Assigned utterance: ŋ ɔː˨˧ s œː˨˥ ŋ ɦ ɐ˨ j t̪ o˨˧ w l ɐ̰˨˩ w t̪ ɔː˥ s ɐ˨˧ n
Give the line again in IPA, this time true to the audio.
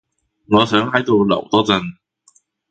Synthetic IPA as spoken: ŋ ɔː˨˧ s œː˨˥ ŋ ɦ ɐ˨˥ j t̪ o˨˧ w l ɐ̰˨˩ w t̪ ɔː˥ t͡s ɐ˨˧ n

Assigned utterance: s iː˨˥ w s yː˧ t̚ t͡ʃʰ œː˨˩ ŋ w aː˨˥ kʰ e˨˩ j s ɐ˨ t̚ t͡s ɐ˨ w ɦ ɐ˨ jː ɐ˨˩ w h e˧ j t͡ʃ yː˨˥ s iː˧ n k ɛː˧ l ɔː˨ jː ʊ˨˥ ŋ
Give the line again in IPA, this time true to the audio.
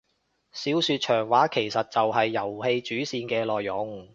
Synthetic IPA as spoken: s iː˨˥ w s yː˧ t̚ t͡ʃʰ œː˨˩ ŋ w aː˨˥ kʰ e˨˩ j s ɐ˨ t̚ t͡s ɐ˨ w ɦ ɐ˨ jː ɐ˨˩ w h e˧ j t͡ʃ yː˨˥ s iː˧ n k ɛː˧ l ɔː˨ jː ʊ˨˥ ŋ

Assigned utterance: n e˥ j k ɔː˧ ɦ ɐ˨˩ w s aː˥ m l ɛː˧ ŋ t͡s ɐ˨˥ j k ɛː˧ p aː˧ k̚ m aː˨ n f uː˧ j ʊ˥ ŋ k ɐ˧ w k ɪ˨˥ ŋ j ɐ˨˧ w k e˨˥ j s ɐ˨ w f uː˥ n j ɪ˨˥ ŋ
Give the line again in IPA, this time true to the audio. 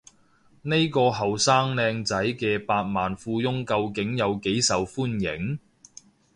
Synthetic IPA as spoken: n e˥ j k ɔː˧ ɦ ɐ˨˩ w s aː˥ ŋ l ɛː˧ ŋ t͡s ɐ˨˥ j k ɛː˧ p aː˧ t̚ m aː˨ n f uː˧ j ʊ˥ ŋ k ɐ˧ w k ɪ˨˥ ŋ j ɐ˨˧ w k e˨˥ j s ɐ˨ w f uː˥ n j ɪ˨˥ ŋ

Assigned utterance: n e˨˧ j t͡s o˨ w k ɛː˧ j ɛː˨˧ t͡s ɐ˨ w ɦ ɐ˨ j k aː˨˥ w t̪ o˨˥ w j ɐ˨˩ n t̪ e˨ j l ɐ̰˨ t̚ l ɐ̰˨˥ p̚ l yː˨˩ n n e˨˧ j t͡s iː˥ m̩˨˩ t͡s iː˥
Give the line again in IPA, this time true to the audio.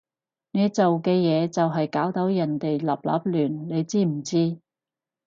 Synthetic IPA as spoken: n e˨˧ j t͡s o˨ w k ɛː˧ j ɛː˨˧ t͡s ɐ˨ w ɦ ɐ˨ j k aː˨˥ w t̪ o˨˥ w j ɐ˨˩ n t̪ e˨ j l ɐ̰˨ p̚ l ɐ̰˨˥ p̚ l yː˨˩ n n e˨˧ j t͡s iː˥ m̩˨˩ t͡s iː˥

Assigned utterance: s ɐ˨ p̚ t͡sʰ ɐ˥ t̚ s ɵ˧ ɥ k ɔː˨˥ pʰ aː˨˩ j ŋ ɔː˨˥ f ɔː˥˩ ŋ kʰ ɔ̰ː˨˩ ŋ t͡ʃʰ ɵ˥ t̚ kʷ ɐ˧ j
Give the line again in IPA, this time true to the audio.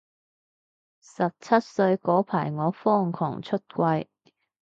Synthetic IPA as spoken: s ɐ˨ p̚ t͡sʰ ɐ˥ t̚ s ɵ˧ ɥ k ɔː˨˥ pʰ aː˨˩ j ŋ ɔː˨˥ f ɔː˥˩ ŋ kʰ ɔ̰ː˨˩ ŋ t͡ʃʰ ɵ˥ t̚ kʷ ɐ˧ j

